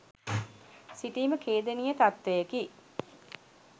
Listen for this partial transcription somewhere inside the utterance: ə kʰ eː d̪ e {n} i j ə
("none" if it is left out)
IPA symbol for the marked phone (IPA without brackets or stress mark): n